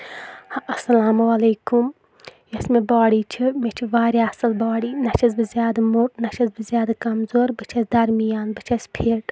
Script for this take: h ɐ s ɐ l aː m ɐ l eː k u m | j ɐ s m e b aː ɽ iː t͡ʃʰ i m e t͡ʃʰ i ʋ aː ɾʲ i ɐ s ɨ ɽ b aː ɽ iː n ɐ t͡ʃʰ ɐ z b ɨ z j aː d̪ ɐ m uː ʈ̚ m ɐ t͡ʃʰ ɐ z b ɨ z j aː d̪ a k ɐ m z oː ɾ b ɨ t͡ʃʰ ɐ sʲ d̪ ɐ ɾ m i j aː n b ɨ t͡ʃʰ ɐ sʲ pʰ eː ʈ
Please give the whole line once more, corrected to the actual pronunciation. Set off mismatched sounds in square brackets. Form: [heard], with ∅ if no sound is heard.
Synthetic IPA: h ɐ s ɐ l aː m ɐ l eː k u m | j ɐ s m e b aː ɽ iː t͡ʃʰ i m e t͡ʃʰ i ʋ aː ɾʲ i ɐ s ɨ [l] b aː ɽ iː n ɐ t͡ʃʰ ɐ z b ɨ z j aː d̪ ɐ m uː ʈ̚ [n] ɐ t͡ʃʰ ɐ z b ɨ z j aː d̪ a k ɐ m z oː ɾ b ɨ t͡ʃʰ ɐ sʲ d̪ ɐ ɾ m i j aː n b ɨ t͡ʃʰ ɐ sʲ pʰ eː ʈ